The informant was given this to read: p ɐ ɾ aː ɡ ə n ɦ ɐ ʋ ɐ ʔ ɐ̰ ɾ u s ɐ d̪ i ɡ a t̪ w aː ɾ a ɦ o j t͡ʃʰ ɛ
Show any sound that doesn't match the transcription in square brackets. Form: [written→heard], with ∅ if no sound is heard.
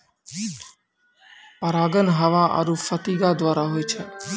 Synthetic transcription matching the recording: p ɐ ɾ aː ɡ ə n ɦ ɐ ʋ [ɐ→a] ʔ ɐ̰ ɾ u [s→f] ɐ [d̪→t̪] i ɡ a [t̪→d̪] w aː ɾ a ɦ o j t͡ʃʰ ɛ